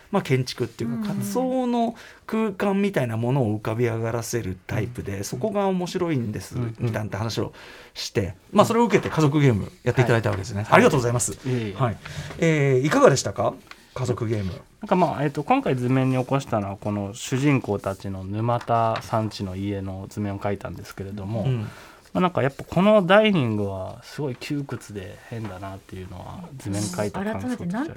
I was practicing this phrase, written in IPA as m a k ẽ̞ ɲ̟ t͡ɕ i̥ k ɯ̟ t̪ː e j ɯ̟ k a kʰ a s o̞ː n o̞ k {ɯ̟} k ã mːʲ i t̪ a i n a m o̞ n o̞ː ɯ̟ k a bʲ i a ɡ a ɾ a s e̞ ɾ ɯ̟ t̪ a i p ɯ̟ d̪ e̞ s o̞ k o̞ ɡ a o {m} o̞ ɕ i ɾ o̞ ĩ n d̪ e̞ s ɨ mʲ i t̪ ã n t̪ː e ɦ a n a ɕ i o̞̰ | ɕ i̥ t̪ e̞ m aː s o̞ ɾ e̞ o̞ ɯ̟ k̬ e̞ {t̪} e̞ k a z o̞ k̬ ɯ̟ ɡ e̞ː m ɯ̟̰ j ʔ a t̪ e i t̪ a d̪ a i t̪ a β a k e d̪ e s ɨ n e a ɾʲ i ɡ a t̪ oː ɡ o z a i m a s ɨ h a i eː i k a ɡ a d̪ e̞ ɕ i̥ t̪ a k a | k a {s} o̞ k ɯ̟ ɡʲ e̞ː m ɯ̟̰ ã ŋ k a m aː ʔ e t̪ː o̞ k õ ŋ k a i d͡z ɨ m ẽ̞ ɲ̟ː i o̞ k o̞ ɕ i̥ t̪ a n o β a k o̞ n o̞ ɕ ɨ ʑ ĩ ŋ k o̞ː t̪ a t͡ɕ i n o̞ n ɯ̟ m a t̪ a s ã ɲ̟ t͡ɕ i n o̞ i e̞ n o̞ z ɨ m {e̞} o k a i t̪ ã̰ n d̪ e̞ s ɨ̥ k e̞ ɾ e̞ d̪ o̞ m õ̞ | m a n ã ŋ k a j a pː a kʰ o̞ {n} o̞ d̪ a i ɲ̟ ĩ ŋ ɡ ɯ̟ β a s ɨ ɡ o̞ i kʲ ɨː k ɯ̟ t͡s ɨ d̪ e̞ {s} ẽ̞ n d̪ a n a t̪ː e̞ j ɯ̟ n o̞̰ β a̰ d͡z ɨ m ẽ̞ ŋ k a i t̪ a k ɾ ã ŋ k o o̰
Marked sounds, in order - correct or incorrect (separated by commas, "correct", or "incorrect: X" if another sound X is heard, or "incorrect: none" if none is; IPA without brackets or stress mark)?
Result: incorrect: ɯ̟ː, correct, correct, incorrect: z, incorrect: ẽ̞, correct, incorrect: h